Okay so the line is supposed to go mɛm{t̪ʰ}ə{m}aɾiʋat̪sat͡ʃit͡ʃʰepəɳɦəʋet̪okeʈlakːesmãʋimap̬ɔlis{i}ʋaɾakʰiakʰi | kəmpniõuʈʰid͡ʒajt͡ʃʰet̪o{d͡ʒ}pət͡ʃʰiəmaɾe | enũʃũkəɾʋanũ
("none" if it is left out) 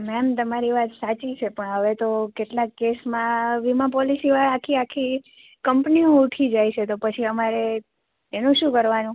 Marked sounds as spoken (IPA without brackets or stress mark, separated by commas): t̪, m, i, none